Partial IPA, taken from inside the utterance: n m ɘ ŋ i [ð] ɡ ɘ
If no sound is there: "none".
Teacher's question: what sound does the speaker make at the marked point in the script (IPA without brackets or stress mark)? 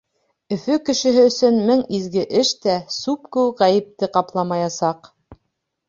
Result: z